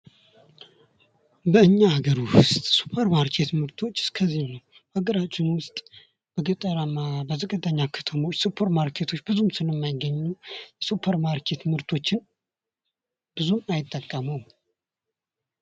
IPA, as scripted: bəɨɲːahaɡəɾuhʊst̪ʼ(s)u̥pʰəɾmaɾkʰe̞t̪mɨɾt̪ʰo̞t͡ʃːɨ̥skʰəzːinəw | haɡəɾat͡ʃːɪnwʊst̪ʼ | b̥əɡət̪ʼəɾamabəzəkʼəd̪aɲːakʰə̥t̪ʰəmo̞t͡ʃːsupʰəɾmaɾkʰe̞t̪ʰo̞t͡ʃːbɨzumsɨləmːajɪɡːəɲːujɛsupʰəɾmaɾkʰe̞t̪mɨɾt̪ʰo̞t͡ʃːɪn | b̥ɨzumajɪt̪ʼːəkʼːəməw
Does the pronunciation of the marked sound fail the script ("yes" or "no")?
no